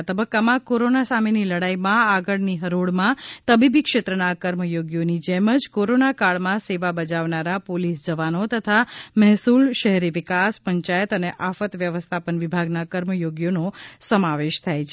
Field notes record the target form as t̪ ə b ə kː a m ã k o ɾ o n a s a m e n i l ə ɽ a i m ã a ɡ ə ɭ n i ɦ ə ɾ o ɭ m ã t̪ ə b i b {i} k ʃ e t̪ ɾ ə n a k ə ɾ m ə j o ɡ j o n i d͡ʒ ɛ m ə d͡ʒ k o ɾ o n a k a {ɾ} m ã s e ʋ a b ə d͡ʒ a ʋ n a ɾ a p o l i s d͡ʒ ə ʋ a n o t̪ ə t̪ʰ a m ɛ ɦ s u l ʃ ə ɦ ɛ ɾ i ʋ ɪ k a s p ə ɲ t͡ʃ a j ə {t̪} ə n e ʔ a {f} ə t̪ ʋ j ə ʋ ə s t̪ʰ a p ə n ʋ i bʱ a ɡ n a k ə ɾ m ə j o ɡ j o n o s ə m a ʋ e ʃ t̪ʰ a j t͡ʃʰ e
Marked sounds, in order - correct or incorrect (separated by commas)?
correct, incorrect, correct, correct